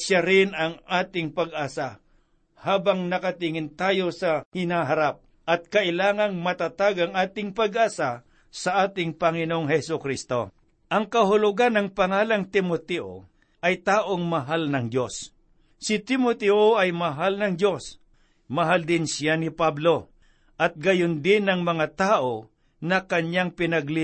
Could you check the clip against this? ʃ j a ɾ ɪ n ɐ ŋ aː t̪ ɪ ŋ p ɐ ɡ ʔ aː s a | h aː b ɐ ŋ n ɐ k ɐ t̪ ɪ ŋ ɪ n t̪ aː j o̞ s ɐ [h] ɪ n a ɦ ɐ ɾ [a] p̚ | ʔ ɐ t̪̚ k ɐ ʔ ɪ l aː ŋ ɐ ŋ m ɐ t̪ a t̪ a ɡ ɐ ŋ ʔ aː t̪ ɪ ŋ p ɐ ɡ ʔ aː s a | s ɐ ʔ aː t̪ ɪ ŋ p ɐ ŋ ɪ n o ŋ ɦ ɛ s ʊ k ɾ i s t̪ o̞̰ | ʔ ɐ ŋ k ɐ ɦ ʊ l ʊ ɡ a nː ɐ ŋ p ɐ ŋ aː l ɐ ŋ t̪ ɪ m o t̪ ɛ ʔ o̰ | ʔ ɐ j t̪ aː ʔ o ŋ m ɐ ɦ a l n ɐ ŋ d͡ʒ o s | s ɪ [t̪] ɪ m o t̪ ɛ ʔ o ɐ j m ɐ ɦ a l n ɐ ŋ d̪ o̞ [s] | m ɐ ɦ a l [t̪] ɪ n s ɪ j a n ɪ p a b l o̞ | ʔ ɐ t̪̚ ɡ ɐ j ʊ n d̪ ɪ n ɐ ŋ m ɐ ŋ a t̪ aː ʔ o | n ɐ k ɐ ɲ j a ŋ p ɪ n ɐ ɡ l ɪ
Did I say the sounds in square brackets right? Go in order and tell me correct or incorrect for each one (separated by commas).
correct, correct, correct, correct, incorrect